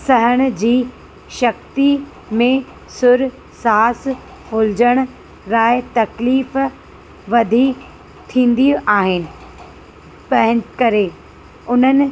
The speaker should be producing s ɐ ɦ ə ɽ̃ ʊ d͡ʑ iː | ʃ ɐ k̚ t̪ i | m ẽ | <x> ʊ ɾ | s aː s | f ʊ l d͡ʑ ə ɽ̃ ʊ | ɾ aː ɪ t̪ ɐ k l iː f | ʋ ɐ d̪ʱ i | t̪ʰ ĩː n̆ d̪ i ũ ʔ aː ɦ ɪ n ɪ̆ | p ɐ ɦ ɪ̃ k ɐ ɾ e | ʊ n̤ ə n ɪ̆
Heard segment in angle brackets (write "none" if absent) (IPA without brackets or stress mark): s